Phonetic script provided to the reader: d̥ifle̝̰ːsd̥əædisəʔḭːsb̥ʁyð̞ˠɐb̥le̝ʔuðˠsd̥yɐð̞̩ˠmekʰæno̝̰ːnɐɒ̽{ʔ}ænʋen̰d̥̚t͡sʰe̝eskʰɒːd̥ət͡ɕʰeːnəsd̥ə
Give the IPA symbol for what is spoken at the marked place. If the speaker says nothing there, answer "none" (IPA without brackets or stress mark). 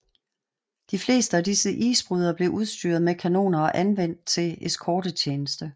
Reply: ʔ